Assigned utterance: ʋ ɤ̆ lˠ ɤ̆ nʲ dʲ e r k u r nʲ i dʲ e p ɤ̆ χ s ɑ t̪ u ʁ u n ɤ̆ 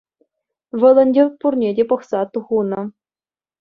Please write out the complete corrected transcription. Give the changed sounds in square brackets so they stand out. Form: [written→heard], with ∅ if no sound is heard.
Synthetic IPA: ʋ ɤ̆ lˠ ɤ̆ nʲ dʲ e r [k→p] u r nʲ [i→e] dʲ e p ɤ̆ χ s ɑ t̪ u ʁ u n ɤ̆